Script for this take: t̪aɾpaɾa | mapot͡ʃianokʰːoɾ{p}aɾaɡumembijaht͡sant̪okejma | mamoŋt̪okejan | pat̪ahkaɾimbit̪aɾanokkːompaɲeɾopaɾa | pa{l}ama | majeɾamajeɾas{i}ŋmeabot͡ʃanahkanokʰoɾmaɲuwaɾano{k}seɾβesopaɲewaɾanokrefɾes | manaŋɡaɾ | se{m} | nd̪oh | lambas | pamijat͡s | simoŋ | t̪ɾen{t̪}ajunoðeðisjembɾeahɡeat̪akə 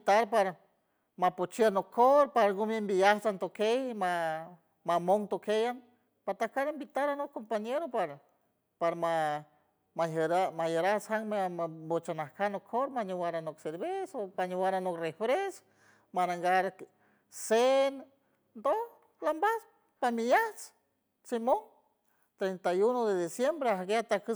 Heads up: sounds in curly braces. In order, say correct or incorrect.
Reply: correct, incorrect: ɾ, incorrect: a, correct, incorrect: n, correct

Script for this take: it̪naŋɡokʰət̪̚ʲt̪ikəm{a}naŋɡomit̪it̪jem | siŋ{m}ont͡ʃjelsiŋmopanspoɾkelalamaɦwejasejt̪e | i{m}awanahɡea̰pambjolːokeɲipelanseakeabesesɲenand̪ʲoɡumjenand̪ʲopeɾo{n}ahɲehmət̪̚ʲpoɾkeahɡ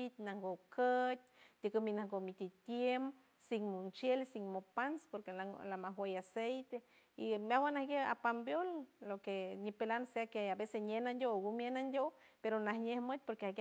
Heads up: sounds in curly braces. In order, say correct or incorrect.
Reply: incorrect: i, correct, correct, correct

